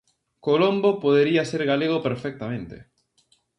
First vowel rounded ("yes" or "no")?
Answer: yes